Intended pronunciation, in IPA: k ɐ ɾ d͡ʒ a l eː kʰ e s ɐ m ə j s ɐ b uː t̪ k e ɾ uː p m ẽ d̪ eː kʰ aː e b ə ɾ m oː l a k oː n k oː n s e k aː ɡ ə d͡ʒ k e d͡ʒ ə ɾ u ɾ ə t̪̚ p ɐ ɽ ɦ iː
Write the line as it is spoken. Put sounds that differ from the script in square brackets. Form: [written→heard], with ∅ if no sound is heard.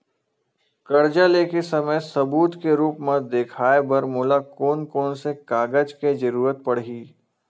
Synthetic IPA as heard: k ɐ ɾ d͡ʒ a l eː [kʰ→k] e s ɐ m ə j s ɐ b uː t̪ k e ɾ uː p m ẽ d̪ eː kʰ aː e b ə ɾ m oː l a k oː n k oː n s e k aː ɡ ə d͡ʒ k e d͡ʒ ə ɾ [u→uː] ɾ ə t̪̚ p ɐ ɽ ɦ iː